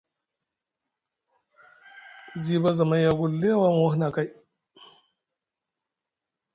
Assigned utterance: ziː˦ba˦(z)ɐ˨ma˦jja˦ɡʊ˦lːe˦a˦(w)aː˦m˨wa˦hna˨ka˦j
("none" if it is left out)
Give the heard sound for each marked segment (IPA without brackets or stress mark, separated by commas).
z, w